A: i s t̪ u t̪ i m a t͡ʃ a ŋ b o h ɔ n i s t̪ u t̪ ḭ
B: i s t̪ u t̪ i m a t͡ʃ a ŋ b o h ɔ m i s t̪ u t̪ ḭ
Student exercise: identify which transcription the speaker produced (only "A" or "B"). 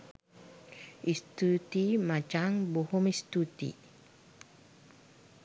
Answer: B